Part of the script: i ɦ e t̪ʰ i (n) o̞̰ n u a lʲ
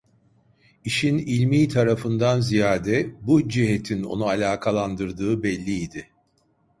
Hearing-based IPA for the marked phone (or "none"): n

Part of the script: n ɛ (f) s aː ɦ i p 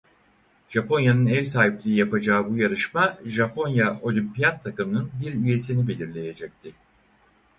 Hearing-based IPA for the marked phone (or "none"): v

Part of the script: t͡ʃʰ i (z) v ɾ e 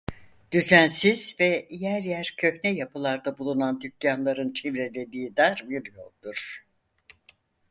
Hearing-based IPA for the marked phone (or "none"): none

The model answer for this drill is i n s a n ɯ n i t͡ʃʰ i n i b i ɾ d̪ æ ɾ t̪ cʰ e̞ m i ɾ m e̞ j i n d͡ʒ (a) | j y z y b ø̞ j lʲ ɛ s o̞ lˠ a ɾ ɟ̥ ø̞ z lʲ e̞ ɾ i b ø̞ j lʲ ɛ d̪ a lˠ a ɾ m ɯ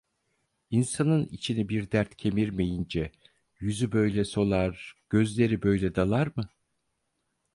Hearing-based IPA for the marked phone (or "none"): ɛ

